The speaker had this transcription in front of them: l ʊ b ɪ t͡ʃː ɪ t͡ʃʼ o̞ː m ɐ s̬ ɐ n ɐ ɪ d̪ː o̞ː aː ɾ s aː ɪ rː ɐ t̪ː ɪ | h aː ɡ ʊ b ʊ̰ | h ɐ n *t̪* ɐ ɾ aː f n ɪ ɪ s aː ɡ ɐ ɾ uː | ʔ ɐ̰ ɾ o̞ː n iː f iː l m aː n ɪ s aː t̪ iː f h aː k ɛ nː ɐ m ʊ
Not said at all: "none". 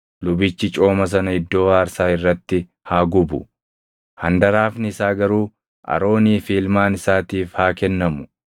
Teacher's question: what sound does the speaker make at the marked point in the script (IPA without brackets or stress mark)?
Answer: d̪